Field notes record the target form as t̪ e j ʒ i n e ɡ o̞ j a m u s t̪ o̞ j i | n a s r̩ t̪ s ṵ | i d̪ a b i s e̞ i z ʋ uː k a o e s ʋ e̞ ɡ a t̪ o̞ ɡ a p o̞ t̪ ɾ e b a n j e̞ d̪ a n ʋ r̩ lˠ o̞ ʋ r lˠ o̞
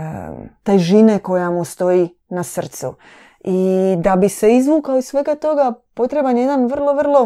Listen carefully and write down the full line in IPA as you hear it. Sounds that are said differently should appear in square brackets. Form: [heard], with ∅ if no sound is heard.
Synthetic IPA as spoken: t̪ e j ʒ i n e [k] o̞ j a m u s t̪ o̞ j i | n a s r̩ t̪ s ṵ | i d̪ a b i s e̞ i z ʋ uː k a o [i] s ʋ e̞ ɡ a t̪ o̞ ɡ a p o̞ t̪ ɾ e b a n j e̞ d̪ a n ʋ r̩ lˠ o̞ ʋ r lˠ o̞